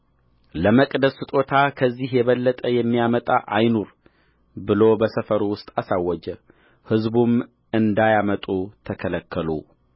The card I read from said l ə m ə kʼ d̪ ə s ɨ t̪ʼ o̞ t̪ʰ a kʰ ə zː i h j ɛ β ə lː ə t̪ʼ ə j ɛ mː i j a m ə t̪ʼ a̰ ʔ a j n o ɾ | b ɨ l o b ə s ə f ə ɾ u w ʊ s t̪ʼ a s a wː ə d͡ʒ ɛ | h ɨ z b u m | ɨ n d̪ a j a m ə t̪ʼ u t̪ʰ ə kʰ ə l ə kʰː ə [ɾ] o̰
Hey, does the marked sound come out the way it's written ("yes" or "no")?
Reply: no